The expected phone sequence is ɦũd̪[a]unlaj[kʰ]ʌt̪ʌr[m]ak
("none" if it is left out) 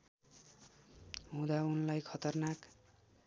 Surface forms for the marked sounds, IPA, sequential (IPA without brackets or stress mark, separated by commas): a, kʰ, n